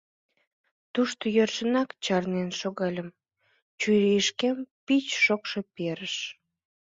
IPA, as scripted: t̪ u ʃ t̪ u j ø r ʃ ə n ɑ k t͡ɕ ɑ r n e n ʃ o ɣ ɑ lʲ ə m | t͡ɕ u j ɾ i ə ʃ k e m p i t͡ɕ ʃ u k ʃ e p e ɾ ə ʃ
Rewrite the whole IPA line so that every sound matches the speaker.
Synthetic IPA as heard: t̪ u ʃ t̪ o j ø r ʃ ə n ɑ k t͡ɕ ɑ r n e n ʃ o ɣ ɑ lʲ ə m | t͡ɕ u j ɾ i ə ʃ k e m p i t͡ɕ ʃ o k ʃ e p e ɾ ə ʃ